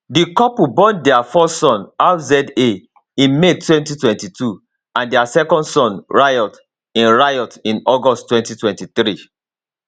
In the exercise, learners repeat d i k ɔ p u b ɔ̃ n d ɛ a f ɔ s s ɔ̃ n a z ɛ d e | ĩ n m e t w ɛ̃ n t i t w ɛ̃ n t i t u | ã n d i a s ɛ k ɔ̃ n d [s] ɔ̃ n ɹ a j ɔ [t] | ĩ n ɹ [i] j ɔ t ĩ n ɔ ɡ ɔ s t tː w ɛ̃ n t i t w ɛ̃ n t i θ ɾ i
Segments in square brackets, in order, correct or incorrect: correct, correct, incorrect

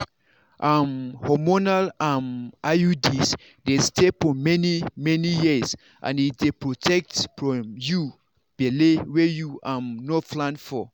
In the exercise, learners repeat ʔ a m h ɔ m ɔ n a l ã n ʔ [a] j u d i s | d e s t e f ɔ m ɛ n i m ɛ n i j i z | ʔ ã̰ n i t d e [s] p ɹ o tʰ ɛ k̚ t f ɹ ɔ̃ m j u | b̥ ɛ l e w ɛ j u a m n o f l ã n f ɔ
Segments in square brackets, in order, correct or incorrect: correct, incorrect

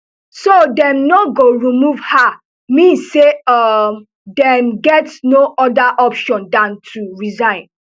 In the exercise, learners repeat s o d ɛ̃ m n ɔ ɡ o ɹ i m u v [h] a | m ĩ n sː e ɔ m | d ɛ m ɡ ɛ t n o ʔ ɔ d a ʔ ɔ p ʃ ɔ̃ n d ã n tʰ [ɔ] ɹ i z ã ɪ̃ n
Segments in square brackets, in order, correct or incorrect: correct, incorrect

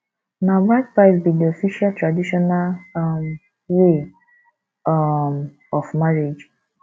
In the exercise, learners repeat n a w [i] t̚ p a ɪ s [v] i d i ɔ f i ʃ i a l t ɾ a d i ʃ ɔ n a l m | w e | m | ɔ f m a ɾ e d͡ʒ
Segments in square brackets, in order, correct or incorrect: incorrect, incorrect

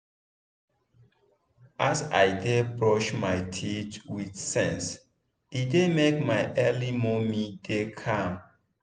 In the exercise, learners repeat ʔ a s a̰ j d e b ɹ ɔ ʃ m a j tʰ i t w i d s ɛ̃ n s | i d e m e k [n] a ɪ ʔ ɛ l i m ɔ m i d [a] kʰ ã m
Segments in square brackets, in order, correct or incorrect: incorrect, incorrect

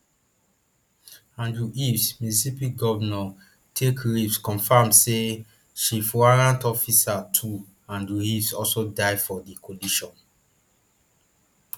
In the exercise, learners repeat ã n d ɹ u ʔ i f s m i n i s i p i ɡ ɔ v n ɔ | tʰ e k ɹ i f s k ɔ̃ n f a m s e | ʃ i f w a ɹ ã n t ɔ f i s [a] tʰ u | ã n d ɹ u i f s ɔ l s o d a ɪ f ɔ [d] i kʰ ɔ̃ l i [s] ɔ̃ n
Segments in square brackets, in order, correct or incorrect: correct, correct, incorrect

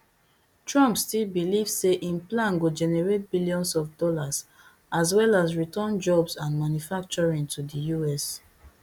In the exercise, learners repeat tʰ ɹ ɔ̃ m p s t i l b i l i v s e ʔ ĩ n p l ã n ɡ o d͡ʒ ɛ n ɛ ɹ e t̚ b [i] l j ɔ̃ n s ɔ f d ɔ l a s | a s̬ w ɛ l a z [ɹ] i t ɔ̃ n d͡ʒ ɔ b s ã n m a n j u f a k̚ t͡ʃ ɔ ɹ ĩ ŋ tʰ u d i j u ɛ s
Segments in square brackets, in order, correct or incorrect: correct, correct

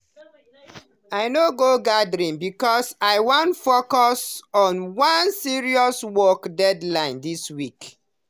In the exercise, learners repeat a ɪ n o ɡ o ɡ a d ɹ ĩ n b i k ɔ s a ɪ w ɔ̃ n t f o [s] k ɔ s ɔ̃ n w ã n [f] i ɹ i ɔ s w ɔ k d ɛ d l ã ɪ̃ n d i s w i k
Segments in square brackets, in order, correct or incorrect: incorrect, incorrect

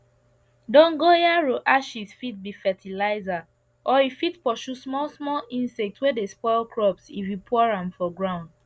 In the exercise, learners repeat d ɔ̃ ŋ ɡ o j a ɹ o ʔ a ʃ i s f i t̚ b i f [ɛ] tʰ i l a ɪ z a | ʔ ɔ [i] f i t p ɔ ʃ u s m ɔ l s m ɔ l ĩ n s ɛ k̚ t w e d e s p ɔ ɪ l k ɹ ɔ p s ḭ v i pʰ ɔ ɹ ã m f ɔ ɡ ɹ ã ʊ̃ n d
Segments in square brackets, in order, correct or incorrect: correct, correct

